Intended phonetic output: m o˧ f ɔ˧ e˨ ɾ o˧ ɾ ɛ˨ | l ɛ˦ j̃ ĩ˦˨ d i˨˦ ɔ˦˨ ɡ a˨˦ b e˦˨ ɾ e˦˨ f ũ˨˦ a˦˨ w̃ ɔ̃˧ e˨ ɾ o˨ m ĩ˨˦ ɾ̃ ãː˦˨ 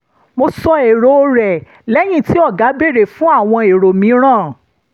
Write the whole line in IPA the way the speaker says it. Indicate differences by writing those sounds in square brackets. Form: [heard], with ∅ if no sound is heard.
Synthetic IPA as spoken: m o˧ [s] ɔ˧ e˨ ɾ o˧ ɾ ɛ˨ | l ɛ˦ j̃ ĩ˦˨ [t] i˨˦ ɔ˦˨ ɡ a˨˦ b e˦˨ ɾ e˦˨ f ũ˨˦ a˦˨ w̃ ɔ̃˧ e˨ ɾ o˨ m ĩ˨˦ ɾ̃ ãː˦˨